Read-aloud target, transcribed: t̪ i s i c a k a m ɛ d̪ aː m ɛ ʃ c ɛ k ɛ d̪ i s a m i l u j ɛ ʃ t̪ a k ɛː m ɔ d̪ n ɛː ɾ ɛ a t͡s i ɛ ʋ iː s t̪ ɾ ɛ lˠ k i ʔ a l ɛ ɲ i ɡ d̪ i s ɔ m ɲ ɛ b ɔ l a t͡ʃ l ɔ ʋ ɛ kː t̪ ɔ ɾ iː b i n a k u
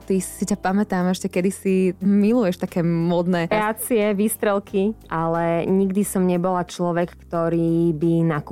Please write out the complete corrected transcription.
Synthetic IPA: t̪ i s i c a p a m ɛ t̪ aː m ɛ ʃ c ɛ k ɛ d̪ i s i m i l u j ɛ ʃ t̪ a k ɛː m ɔ d̪ n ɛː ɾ ɛ a t͡s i ɛ ʋ iː s t̪ ɾ ɛ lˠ k i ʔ a l ɛ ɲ i ɡ d̪ i s ɔ m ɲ ɛ b ɔ l a t͡ʃ l ɔ ʋ ɛ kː t̪ ɔ ɾ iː b i n a k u